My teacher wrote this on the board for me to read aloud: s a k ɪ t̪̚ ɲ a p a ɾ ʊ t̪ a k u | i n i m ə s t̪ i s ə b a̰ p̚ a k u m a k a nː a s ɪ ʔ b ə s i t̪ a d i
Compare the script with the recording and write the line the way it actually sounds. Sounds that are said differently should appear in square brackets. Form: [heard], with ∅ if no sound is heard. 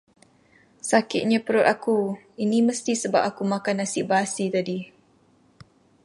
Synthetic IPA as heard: s a k ɪ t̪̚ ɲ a p [ə] ɾ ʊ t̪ a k u | i n i m ə s t̪ i s ə b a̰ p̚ a k u m a k a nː a s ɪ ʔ b [a] s i t̪ a d i